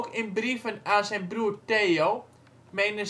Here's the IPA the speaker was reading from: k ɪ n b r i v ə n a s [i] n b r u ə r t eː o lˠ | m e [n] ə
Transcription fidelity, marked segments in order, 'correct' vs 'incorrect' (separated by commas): incorrect, correct